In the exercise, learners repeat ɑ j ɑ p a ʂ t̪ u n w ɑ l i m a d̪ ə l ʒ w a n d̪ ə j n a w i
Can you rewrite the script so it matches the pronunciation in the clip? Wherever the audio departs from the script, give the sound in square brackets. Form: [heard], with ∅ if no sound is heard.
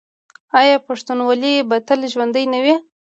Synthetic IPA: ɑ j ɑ p a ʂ t̪ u n w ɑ l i [b] a [t̪] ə l ʒ w a n d̪ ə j n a w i